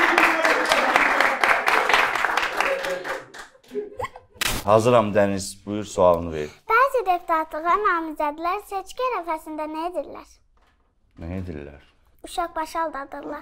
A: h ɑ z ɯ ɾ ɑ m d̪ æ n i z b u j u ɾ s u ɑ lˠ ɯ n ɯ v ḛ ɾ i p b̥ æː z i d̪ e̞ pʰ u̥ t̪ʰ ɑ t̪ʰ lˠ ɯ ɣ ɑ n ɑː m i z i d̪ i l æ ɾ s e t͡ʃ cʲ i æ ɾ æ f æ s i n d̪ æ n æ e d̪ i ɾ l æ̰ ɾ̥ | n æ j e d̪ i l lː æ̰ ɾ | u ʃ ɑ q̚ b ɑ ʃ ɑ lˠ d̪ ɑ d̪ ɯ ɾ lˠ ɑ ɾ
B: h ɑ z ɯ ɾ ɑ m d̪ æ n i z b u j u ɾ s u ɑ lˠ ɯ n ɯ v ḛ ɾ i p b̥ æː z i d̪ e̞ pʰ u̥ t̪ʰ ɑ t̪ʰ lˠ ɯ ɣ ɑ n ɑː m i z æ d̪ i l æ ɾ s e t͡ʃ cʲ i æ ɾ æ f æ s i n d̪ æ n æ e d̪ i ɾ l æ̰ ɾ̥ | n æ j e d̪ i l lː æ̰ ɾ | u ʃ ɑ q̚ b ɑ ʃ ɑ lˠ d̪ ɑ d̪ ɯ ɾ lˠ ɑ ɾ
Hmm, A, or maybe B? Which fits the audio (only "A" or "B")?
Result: B